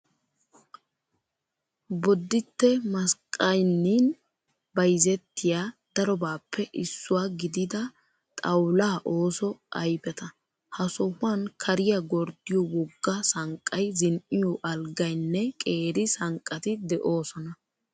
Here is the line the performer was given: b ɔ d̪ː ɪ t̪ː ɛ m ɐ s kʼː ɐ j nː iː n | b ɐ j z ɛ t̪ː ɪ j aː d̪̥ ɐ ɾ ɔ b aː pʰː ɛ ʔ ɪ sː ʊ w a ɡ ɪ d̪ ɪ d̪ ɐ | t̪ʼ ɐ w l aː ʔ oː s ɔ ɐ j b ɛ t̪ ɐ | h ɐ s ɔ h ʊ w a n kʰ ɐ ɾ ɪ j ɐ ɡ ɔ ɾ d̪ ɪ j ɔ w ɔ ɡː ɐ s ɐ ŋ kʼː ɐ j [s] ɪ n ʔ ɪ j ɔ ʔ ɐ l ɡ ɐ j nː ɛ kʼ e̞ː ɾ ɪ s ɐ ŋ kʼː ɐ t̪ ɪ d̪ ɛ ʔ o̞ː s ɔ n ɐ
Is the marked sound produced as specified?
no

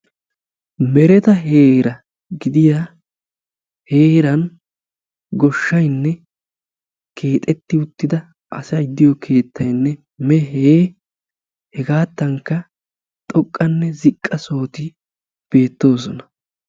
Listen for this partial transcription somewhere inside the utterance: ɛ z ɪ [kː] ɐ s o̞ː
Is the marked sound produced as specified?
no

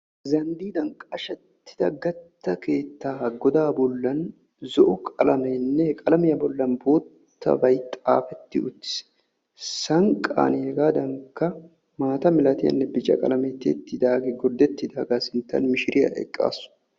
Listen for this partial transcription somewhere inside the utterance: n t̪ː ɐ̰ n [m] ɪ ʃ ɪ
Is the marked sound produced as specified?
yes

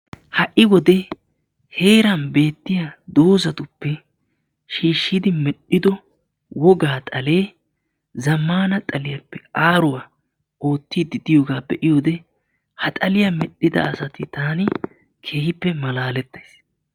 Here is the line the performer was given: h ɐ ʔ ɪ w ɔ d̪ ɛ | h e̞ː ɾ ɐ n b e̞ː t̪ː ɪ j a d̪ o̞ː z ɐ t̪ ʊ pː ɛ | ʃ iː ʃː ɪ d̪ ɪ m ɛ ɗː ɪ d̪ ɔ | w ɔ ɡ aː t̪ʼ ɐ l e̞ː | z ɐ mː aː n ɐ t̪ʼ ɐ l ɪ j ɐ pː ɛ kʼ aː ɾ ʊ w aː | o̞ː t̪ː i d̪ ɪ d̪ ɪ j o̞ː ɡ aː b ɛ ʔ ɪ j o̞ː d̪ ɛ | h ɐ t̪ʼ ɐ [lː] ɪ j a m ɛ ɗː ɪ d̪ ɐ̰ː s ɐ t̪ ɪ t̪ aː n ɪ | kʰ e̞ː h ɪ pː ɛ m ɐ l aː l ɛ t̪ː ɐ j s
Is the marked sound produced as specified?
no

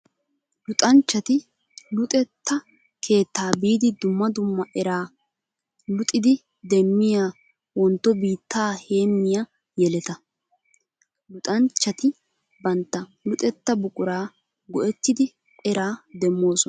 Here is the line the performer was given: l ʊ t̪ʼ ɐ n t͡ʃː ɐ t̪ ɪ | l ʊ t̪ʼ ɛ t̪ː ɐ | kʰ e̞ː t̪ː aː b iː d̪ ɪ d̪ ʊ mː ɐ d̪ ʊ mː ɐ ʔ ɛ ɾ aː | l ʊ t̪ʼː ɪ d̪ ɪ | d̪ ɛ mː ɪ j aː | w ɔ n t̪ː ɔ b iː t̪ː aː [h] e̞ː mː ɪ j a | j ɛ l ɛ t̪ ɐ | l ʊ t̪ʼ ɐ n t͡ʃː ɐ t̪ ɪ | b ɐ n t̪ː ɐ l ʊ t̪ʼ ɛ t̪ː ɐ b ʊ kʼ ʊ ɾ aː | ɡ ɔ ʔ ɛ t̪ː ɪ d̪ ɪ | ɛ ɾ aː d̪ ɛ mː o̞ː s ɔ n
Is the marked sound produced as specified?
yes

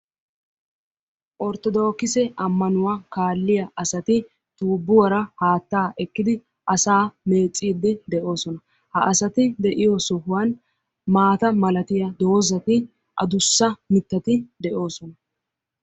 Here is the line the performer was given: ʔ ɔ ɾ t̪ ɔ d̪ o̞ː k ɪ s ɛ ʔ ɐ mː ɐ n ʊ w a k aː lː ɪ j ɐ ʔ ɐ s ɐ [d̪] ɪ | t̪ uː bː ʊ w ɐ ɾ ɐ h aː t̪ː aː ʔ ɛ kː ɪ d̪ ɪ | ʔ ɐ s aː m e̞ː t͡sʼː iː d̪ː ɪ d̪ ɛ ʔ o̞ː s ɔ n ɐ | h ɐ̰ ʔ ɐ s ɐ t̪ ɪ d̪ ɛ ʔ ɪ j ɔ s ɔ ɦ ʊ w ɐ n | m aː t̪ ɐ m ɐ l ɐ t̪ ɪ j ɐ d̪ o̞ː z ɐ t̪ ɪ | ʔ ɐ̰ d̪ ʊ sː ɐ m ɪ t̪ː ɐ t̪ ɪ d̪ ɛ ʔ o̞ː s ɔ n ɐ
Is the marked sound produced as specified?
no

